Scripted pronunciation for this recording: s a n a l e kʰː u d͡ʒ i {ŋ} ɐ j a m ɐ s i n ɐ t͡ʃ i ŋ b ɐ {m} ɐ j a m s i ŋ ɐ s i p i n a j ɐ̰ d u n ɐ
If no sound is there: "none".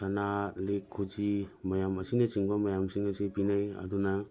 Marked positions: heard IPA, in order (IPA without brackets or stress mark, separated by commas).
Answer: m, m